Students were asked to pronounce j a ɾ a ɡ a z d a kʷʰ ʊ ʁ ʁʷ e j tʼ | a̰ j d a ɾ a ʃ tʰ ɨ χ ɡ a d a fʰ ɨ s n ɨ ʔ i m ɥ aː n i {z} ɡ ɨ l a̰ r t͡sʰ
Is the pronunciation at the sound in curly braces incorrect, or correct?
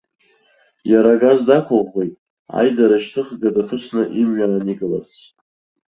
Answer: incorrect